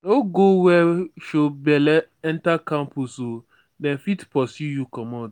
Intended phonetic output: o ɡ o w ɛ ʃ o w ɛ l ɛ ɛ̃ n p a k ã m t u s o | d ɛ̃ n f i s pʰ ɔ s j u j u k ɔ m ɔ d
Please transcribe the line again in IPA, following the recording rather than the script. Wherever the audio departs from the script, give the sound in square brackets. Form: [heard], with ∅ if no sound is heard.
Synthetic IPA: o ɡ o w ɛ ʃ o [b] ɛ l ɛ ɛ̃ n [t] a k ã m [p] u s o | d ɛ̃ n f i [t] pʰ ɔ s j u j u k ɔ m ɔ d